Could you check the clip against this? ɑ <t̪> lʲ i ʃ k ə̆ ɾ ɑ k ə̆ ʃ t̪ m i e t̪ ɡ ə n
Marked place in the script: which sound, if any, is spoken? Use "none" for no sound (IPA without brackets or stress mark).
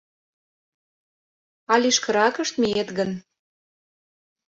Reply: none